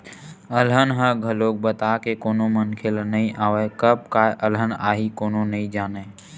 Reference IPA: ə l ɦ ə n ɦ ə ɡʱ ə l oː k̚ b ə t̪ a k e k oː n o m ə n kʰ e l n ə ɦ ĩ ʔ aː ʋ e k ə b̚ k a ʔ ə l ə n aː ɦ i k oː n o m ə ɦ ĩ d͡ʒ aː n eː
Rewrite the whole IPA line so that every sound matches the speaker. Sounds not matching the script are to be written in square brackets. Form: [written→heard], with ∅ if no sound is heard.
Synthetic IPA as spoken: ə l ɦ ə n ɦ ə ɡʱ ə l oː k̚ b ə t̪ a k e k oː n o m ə n kʰ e l n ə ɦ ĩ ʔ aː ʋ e k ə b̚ k a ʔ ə l ə n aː ɦ i k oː n o [m→n] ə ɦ ĩ d͡ʒ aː n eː